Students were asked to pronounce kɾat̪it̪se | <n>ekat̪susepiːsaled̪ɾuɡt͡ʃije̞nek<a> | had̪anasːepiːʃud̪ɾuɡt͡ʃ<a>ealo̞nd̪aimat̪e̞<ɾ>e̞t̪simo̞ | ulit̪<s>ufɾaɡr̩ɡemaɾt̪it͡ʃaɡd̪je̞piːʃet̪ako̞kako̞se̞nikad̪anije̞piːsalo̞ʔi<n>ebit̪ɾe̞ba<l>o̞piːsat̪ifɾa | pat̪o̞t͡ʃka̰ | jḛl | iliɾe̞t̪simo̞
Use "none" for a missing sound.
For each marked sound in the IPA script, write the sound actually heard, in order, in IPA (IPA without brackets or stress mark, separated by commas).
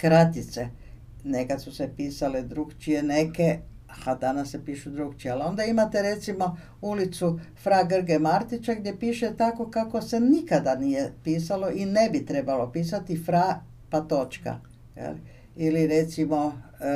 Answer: n, e, i, ɾ, s, n, l